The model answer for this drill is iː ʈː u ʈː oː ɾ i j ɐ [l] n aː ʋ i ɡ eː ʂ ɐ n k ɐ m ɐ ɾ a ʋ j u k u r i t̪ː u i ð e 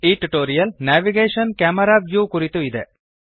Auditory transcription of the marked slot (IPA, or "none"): l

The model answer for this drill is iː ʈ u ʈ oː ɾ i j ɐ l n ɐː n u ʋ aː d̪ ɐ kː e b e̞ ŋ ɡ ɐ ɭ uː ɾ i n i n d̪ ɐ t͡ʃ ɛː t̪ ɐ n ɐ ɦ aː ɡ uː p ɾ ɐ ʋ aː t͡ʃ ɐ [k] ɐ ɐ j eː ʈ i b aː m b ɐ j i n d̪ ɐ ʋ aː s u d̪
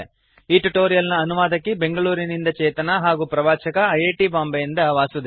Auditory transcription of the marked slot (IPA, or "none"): k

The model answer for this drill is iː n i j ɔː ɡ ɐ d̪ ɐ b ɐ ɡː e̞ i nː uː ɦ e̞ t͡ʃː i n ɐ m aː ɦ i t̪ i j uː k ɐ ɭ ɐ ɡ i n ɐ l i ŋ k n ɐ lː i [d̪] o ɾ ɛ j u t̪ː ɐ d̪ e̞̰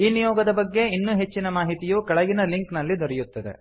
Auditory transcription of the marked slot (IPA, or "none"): d̪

